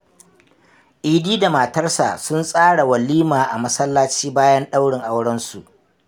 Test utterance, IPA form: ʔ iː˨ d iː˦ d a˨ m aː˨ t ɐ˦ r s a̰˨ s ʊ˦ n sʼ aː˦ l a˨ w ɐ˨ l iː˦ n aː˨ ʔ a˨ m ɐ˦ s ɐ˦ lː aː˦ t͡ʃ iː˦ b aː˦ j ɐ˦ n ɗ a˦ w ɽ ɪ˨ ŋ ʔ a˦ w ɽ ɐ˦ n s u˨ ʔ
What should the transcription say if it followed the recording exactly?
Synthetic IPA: ʔ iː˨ d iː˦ d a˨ m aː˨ t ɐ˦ r s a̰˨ s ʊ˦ n sʼ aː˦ ɽ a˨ w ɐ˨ l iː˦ m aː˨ ʔ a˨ m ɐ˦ s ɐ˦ lː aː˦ t͡ʃ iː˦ b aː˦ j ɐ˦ n ɗ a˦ w ɽ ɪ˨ ŋ ʔ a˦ w ɽ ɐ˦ n s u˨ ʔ